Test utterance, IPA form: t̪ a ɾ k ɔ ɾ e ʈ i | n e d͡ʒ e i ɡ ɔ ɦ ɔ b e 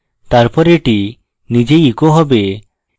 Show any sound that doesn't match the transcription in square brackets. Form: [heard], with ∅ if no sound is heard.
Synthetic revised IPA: t̪ a ɾ [p] ɔ ɾ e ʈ i | n [i] d͡ʒ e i [k] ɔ ɦ ɔ b e

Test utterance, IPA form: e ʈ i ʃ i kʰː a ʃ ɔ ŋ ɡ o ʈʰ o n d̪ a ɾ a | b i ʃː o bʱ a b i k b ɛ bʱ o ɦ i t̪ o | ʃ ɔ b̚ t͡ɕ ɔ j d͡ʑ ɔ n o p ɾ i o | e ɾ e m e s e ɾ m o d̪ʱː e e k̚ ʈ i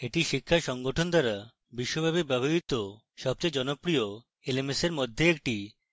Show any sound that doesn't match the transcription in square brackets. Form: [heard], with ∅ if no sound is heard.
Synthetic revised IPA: e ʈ i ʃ i kʰː a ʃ ɔ ŋ ɡ o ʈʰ o n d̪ a ɾ a | b i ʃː o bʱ a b i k b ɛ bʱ o ɦ i t̪ o | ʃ ɔ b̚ t͡ɕ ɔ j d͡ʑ ɔ n o p ɾ i o | e [l] e m e s e ɾ m o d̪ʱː e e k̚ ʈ i

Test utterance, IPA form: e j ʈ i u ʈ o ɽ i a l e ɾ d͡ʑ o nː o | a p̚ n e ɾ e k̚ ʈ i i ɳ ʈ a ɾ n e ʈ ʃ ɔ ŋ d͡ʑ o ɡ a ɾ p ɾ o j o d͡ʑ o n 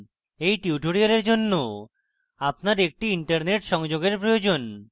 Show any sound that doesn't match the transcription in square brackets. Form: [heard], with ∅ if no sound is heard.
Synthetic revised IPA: e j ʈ i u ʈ o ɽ i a l e ɾ d͡ʑ o nː o | a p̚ n [a] ɾ e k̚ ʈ i i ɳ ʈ a ɾ n e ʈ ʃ ɔ ŋ d͡ʑ o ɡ [e] ɾ p ɾ o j o d͡ʑ o n

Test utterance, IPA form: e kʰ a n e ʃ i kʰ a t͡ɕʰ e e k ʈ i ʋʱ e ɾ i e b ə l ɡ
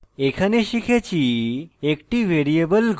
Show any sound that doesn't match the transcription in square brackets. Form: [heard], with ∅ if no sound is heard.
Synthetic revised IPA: e kʰ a n e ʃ i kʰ [e] t͡ɕʰ [i] e k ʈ i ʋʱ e ɾ i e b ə l ɡ

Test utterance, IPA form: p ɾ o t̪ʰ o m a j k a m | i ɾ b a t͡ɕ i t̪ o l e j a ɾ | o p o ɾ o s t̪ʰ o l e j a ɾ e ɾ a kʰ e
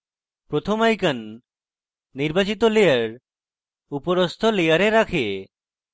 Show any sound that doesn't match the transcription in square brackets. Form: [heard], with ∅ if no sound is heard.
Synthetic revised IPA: p ɾ o t̪ʰ o m a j k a [n] | i ɾ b a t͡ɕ i t̪ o l e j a ɾ | [u] p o ɾ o s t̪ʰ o l e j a ɾ e ɾ a kʰ e

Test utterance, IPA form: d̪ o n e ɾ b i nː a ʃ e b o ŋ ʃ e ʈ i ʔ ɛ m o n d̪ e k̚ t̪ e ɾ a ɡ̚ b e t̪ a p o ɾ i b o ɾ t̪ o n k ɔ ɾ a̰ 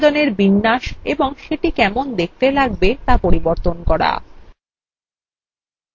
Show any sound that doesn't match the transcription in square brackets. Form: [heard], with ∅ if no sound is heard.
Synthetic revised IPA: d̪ o n e ɾ b i nː a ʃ e b o ŋ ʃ e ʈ i [k] ɛ m o n d̪ e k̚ t̪ e [l] a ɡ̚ b e t̪ a p o ɾ i b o ɾ t̪ o n k ɔ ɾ a̰

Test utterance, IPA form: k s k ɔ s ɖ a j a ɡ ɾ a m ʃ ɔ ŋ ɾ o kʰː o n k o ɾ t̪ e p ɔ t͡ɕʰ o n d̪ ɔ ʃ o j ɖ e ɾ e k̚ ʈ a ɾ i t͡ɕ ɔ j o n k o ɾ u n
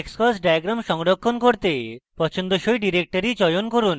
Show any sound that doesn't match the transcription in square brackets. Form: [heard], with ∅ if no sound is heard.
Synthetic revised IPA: k s k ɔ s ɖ a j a ɡ ɾ a m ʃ ɔ ŋ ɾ o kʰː o n k o ɾ t̪ e p ɔ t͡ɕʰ o n d̪ [o] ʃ o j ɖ [i] ɾ e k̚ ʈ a ɾ i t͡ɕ ɔ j o n k o ɾ u n

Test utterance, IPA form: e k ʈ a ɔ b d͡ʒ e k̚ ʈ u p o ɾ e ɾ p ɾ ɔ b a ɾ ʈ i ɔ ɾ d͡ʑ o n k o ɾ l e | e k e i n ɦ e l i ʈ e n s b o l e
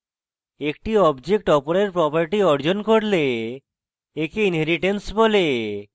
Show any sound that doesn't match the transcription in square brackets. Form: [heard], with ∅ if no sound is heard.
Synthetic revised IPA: e k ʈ [i] ɔ b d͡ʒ e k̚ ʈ [ɔ] p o ɾ e ɾ p ɾ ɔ [p] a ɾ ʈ i ɔ ɾ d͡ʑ o n k o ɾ l e | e k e i n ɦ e [ɾ] i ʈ e n s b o l e

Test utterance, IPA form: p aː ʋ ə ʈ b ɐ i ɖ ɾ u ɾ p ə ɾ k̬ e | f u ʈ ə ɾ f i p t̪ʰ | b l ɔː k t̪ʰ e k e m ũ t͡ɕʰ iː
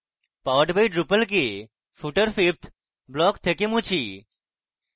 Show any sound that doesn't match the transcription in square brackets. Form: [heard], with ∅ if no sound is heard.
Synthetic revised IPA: p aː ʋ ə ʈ b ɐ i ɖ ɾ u [∅] p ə [l] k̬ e | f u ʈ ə ɾ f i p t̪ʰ | b l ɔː k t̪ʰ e k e m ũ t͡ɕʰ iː

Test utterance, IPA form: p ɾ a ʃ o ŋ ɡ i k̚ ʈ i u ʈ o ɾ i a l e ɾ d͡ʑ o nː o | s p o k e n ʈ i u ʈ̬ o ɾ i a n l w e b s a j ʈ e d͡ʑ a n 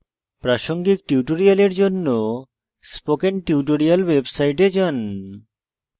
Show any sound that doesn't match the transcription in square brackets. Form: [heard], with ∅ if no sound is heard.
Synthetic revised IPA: p ɾ a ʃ o ŋ ɡ i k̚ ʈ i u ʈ o ɾ i a l e ɾ d͡ʑ o nː o | s p o k e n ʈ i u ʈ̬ o ɾ i a [∅] l w e b s a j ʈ e d͡ʑ a n

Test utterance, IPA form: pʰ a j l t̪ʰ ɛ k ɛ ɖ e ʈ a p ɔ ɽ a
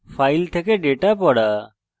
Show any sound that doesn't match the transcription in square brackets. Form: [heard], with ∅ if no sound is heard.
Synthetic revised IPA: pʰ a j l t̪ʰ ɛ k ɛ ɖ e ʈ a p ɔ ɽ a

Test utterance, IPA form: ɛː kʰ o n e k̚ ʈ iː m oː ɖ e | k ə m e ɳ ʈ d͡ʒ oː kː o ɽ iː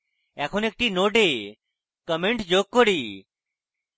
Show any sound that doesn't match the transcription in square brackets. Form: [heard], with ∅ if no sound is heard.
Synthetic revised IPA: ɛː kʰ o n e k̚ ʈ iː [n] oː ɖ e | k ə m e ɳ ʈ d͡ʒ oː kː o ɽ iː

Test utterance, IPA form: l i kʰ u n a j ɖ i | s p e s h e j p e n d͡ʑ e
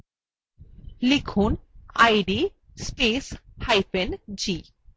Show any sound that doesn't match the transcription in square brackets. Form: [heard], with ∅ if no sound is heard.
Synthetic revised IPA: l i kʰ u n a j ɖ i | s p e s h [a] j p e n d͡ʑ [i]

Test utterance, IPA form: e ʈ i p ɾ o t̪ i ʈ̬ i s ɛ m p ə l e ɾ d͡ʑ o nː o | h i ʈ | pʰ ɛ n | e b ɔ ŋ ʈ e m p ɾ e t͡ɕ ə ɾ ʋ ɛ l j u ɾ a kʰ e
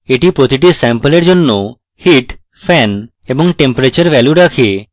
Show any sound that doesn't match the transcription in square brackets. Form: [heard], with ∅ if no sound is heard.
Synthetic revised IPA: e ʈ i p ɾ o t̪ i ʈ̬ i s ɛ m p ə l e ɾ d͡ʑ o nː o | h i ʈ | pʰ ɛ n | e b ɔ ŋ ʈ e m p ɾ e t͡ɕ ə ɾ ʋ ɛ l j u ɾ a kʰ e

